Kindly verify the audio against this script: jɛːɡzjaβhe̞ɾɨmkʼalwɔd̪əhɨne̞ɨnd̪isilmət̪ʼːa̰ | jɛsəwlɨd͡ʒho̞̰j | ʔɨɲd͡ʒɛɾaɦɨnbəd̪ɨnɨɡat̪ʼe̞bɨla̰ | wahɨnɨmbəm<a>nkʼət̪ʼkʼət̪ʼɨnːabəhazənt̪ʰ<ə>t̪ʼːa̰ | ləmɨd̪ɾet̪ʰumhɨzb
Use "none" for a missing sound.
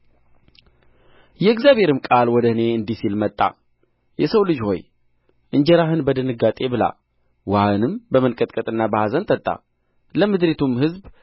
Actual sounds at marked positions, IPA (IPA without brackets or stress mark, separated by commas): ə, ə